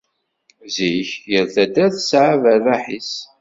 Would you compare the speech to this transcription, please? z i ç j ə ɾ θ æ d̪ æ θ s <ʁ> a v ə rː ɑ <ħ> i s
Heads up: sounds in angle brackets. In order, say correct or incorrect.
incorrect: ʕ, correct

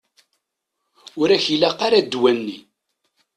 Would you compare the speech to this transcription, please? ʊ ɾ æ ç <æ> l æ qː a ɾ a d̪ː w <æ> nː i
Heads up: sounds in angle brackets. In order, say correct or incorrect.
incorrect: i, correct

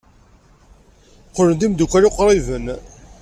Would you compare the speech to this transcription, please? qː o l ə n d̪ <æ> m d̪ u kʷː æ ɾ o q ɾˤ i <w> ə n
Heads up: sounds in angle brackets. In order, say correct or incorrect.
incorrect: i, incorrect: v

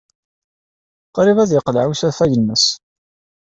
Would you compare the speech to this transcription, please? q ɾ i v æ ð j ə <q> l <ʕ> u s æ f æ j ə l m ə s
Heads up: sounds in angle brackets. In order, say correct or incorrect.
correct, correct

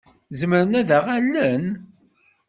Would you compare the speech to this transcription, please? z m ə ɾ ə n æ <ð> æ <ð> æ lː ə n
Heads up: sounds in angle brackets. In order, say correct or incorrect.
correct, incorrect: ʁ

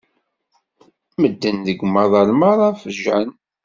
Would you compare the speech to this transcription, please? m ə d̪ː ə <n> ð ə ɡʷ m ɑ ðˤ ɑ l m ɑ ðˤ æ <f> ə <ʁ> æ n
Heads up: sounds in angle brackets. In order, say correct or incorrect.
correct, correct, incorrect: ʒ

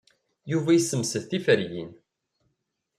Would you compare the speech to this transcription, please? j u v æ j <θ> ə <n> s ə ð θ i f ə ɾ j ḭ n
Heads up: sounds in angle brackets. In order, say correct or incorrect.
incorrect: s, incorrect: m

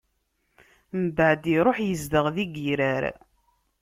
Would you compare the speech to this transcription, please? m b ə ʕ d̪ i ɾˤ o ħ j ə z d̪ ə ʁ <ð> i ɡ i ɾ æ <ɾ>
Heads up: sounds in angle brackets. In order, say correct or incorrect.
correct, correct

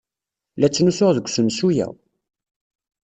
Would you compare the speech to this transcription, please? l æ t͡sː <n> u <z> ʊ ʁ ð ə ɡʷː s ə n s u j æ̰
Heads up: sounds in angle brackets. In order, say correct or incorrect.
correct, incorrect: s

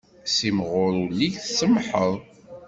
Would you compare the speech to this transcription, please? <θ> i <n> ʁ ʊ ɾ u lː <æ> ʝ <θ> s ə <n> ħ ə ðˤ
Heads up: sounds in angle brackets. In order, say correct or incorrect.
incorrect: s, incorrect: m, incorrect: i, correct, incorrect: m

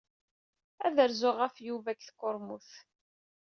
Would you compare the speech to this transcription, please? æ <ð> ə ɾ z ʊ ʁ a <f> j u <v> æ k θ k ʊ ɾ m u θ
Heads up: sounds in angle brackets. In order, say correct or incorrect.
correct, correct, correct

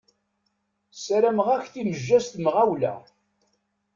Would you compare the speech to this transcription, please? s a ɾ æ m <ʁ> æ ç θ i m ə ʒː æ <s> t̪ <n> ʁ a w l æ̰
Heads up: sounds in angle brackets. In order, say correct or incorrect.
correct, correct, incorrect: m

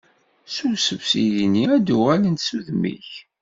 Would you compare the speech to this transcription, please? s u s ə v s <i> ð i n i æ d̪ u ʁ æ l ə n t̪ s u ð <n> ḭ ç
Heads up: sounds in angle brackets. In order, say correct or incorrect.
correct, incorrect: m

